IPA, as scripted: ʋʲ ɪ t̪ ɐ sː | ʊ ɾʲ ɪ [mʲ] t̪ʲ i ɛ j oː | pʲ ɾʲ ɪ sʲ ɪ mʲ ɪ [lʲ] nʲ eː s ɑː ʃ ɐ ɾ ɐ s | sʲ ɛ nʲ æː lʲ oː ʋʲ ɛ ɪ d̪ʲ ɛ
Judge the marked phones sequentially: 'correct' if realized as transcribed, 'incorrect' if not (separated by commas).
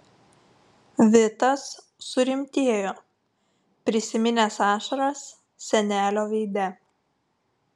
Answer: correct, incorrect